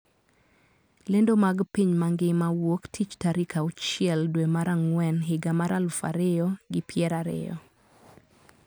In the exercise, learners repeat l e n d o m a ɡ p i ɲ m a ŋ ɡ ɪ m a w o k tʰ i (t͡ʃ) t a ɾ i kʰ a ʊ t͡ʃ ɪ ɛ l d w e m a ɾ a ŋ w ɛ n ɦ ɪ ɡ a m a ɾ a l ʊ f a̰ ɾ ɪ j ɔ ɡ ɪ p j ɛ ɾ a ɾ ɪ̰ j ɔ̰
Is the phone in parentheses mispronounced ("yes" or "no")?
no